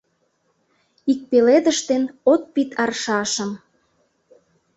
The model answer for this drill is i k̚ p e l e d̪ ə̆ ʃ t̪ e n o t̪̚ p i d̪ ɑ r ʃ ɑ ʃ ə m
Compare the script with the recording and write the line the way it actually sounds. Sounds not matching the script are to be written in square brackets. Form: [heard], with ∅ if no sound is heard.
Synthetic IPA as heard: i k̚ p e l e d̪ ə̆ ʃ t̪ e n o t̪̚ p i [t̪] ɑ r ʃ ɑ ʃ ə m